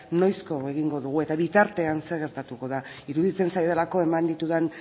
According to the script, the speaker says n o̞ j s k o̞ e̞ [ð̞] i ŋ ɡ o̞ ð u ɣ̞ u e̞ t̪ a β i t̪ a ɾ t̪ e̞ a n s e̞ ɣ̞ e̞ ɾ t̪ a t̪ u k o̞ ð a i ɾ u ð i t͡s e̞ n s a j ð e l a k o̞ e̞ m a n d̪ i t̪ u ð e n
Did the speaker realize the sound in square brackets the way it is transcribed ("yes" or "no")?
no